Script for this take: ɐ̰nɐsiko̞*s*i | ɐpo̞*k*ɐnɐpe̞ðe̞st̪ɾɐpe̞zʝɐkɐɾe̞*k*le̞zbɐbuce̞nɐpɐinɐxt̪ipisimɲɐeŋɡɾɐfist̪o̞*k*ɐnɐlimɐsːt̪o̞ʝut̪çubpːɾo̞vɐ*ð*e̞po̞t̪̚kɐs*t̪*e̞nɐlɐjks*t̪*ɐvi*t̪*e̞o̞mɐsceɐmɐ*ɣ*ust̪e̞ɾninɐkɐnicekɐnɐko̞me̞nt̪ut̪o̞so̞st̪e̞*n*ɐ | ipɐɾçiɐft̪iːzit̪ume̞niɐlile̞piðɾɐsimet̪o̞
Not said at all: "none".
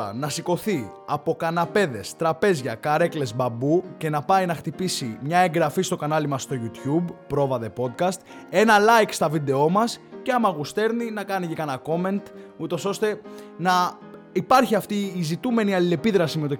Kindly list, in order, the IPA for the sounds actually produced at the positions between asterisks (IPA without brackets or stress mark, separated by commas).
θ, k, k, k, ð, t̪, t̪, d̪, ɣ, n